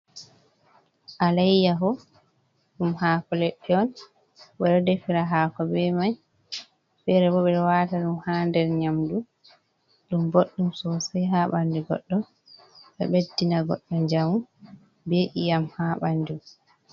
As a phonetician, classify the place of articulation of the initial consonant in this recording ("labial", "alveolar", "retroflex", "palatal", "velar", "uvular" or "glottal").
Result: glottal